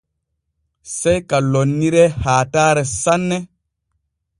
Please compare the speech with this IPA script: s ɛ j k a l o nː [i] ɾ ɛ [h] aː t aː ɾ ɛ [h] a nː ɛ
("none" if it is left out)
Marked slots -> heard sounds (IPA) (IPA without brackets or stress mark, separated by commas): i, h, s